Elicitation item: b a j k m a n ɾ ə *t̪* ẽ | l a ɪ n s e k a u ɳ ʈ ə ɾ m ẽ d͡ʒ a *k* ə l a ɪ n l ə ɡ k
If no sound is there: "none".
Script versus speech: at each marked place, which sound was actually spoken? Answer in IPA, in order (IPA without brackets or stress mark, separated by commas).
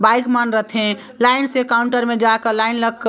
t̪ʰ, k